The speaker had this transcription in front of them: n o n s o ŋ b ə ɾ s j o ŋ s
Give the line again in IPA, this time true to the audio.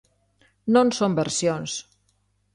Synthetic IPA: n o n s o m b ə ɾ s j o n s